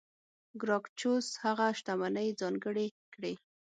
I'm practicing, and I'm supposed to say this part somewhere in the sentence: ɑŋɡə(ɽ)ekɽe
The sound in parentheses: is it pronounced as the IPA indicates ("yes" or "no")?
yes